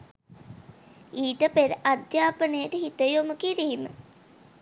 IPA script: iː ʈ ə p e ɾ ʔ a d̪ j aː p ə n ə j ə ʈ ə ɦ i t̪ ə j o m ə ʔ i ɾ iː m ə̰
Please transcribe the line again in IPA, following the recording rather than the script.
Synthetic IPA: iː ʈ ə p e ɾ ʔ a d̪ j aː p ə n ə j ə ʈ ə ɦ i t̪ ə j o m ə k i ɾ iː m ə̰